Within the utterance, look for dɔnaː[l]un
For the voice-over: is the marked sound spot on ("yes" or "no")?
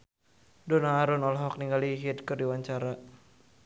no